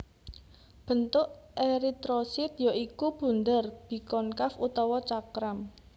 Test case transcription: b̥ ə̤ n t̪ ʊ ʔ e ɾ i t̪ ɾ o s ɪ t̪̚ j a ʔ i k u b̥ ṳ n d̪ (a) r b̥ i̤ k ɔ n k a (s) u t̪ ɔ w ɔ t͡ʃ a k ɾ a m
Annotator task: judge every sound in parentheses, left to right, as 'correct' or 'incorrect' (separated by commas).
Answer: incorrect, incorrect